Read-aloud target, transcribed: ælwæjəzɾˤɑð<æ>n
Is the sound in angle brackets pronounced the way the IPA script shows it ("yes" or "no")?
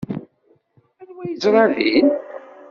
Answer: no